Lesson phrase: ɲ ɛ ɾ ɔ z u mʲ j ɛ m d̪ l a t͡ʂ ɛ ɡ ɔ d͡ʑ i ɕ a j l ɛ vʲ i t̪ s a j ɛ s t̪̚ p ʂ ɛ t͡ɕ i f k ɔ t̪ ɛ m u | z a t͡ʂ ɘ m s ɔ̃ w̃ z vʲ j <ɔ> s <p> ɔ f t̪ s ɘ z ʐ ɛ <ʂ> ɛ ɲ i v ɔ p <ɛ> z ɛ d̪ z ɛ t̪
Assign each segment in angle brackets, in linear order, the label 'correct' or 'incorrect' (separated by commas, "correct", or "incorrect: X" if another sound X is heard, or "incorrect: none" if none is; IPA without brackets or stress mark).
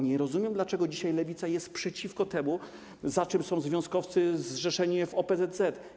incorrect: ɔ̃, incorrect: k, correct, correct